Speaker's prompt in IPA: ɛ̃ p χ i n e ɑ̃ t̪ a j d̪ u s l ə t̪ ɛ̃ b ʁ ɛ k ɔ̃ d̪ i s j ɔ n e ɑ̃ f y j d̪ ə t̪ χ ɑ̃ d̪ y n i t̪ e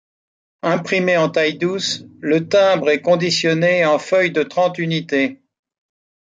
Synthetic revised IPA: ɛ̃ p χ i m e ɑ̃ t̪ a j d̪ u s l ə t̪ ɛ̃ b ʁ ɛ k ɔ̃ d̪ i s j ɔ n e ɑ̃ f œ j d̪ ə t̪ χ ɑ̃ t̪ y n i t̪ e